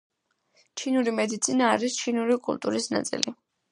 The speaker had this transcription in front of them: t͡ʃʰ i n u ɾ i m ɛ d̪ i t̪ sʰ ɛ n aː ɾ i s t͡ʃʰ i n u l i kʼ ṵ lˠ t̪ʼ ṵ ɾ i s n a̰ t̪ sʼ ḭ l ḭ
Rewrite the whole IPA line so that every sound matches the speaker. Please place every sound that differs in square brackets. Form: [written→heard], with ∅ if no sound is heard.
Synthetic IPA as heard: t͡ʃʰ i n u ɾ i m ɛ d̪ i t̪ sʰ [ɛ→i] n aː ɾ i s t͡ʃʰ i n u [l→ɾ] i kʼ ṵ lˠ t̪ʼ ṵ ɾ i s n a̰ t̪ sʼ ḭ l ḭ